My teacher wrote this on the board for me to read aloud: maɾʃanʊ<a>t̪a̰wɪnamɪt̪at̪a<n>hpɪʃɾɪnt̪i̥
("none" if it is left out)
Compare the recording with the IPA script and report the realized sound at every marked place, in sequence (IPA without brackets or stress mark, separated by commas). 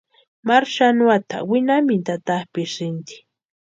a, none